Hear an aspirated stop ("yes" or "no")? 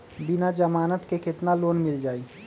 no